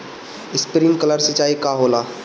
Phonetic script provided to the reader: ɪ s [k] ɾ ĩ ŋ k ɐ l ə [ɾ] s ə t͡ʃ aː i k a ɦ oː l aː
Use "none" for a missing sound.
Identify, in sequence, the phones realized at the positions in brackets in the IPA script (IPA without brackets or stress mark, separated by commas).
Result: p, ɾ